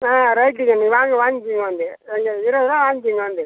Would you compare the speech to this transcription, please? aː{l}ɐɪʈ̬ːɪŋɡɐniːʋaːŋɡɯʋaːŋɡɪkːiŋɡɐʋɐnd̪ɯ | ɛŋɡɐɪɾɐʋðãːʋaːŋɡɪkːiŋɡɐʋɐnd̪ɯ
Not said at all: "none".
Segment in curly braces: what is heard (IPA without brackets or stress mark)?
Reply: ɾ